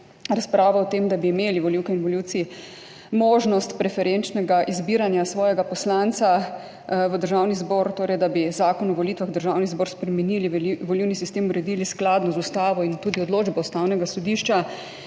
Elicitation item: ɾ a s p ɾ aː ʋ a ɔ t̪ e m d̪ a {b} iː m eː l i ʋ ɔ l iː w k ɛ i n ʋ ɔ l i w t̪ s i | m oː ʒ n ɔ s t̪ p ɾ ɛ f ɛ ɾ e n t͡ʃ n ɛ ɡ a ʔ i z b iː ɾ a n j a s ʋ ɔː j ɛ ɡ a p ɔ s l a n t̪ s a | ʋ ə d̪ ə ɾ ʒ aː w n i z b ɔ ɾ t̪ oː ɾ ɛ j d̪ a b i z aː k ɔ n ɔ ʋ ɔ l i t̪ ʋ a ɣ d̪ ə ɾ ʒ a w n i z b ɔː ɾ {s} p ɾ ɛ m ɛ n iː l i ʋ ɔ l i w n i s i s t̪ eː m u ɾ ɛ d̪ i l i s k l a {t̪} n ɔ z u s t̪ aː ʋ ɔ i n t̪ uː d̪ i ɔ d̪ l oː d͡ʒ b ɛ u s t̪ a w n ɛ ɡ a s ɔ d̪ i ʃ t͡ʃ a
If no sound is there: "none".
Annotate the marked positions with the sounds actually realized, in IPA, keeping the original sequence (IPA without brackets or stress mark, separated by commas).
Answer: b, s, d̪